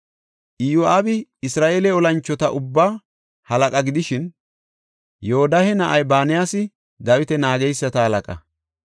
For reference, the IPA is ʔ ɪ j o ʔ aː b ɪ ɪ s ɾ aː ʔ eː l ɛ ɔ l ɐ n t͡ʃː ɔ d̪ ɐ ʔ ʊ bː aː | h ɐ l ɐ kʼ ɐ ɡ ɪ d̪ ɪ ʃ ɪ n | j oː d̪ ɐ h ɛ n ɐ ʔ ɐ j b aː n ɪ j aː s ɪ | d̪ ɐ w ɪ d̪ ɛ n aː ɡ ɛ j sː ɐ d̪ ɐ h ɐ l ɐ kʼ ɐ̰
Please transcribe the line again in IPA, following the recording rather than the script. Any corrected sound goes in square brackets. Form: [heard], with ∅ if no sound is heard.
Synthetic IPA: ʔ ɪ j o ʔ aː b ɪ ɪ s ɾ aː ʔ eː l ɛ ɔ l ɐ n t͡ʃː ɔ [t̪] ɐ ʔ ʊ bː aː | h ɐ l ɐ kʼ ɐ ɡ ɪ d̪ ɪ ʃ ɪ n | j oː d̪ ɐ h ɛ n ɐ ʔ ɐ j b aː n ɪ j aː s ɪ | d̪ ɐ w ɪ [t̪] ɛ n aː ɡ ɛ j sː ɐ [t̪] ɐ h ɐ l ɐ kʼ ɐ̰